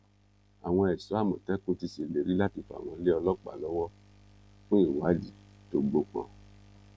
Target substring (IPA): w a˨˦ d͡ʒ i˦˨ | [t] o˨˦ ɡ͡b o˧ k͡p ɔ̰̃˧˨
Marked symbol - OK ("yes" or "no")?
yes